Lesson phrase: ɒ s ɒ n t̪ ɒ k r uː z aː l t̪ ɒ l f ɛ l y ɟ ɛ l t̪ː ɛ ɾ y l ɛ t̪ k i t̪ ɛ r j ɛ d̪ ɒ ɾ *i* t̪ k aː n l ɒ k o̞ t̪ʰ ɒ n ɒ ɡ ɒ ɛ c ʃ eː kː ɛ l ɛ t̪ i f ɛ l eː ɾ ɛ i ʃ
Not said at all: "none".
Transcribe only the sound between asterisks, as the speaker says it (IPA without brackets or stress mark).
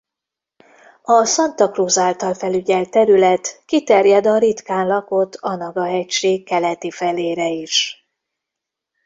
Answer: i